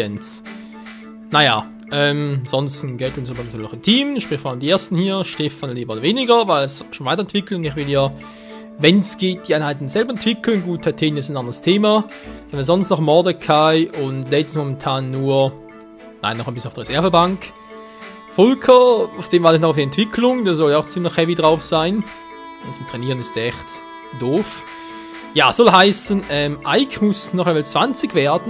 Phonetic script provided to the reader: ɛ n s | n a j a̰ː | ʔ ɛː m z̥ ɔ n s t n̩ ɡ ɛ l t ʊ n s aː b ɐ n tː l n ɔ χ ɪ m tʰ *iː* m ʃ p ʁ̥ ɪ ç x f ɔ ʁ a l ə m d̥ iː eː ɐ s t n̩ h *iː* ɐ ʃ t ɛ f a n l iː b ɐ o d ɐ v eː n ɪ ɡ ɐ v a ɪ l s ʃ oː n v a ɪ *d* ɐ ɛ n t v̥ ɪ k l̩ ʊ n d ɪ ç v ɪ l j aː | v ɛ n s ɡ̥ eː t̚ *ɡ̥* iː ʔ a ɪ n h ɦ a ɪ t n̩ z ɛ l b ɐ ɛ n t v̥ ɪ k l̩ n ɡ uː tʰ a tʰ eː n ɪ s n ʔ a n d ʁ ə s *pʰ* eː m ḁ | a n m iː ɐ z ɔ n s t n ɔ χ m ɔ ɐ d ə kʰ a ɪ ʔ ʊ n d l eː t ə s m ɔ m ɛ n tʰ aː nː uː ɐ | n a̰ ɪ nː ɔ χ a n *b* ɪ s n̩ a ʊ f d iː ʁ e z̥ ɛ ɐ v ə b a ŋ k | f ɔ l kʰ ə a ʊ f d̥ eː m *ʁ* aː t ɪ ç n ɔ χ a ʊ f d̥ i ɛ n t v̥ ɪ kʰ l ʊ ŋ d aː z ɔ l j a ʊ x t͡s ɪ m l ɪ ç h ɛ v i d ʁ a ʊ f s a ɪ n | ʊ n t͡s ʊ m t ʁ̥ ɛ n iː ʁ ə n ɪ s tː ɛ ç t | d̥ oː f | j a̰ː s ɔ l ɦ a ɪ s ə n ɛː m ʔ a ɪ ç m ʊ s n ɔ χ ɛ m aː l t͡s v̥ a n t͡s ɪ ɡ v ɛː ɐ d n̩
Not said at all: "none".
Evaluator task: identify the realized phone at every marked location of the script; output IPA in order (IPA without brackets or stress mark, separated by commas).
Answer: iː, iː, t, d̥, tʰ, b, v